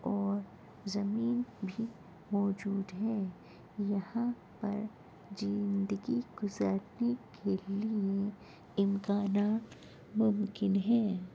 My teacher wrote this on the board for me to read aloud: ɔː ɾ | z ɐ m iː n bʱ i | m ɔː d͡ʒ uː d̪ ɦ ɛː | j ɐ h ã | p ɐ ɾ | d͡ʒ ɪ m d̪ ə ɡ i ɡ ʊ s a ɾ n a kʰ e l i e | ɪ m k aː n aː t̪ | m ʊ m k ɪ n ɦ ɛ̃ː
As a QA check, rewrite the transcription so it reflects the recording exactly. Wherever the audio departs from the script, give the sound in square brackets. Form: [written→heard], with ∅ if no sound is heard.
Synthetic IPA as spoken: ɔː ɾ | z ɐ m iː n bʱ i | m ɔː d͡ʒ uː d̪ ɦ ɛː | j ɐ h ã | p ɐ ɾ | d͡ʒ ɪ [m→n] d̪ ə ɡ i ɡ ʊ [s→z] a ɾ n [a→e] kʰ e l i e | ɪ m k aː n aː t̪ | m ʊ m k ɪ n ɦ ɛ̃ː